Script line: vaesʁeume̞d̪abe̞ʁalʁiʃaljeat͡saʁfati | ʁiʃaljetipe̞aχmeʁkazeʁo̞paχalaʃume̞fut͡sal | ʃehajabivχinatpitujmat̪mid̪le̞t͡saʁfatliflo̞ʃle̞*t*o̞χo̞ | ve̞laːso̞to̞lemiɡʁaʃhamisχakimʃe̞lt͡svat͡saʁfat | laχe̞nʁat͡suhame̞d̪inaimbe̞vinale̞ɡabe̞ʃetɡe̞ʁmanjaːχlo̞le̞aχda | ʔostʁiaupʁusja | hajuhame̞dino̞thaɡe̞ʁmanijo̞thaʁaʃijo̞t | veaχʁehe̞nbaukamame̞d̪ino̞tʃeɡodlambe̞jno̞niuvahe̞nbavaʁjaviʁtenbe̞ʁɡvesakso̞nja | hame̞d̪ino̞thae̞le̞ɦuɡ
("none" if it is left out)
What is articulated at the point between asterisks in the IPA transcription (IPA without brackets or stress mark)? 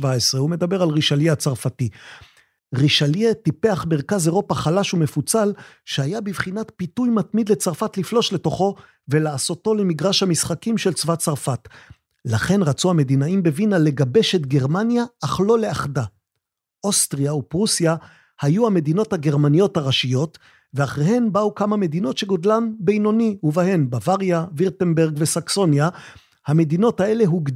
t